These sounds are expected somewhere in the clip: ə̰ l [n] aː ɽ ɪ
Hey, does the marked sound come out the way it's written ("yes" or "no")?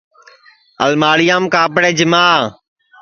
no